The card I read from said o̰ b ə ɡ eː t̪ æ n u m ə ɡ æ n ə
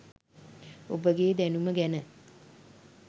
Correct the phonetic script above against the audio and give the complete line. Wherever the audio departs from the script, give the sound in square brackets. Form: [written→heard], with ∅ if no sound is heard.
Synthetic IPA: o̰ b ə ɡ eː [t̪→d̪] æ n u m ə ɡ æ n ə